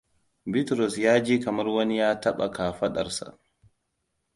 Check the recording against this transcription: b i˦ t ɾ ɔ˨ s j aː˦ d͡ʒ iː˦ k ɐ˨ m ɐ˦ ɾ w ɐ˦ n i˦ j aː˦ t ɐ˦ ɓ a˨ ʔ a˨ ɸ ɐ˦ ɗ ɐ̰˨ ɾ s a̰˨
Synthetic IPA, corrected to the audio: b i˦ t ɾ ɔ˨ s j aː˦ d͡ʒ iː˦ k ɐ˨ m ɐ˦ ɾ w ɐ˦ n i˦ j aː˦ t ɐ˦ ɓ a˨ k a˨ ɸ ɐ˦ ɗ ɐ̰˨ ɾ s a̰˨